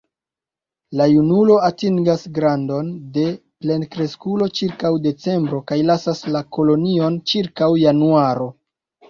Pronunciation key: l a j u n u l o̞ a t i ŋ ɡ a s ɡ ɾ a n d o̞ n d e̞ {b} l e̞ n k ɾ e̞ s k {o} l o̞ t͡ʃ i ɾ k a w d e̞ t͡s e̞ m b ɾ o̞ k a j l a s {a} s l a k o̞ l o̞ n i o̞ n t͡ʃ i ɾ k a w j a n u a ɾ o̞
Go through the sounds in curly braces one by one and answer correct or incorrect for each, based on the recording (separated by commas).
incorrect, incorrect, correct